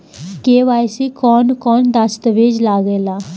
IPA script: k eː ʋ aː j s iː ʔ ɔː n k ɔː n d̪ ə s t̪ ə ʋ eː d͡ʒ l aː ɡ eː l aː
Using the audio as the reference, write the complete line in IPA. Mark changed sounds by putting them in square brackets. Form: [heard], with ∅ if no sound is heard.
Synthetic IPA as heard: k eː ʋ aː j s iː [k] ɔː n k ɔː n d̪ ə s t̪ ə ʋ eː d͡ʒ l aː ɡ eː l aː